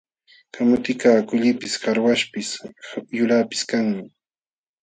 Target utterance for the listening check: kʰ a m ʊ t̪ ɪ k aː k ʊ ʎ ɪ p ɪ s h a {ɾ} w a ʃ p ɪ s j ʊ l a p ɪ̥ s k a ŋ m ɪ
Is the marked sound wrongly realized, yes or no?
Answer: no